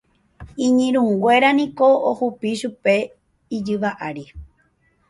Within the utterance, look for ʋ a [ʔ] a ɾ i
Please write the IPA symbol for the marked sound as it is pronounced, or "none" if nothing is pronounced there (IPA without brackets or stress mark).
ʔ